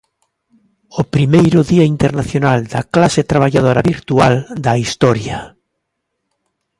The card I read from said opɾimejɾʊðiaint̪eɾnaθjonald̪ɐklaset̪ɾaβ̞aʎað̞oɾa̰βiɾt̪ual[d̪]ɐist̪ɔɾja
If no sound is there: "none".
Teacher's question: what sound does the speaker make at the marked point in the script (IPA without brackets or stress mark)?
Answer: d̪